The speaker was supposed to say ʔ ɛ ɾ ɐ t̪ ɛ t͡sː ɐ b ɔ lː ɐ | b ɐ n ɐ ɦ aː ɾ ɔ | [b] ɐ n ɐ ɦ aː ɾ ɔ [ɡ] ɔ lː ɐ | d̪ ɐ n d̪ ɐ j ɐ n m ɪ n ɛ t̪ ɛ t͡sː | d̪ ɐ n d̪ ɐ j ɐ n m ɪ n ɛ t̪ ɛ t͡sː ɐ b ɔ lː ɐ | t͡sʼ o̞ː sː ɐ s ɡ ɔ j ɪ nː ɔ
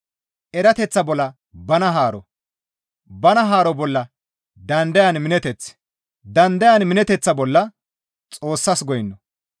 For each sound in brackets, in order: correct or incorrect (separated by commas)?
correct, incorrect